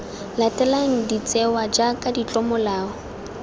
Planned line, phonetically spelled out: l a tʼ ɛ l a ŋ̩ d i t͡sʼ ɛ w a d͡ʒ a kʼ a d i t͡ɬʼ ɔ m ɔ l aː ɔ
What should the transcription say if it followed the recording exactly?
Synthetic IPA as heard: l a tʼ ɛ l a ŋ̩ d i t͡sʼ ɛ w a d͡ʒ a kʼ a d i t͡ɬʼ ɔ m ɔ l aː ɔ